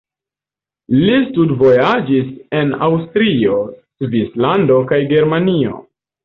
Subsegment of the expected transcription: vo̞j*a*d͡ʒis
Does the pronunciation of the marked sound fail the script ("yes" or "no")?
no